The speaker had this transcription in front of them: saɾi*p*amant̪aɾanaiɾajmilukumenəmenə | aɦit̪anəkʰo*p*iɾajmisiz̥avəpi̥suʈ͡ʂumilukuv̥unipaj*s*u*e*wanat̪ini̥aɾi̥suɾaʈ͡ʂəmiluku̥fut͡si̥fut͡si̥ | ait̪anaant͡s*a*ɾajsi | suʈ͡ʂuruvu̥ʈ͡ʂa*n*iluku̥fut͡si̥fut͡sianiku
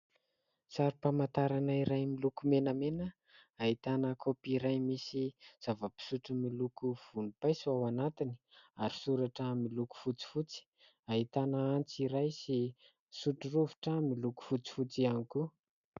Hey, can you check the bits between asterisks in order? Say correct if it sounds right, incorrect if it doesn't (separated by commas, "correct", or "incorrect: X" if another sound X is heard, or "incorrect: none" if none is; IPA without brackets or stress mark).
correct, correct, correct, incorrect: a, incorrect: i, incorrect: m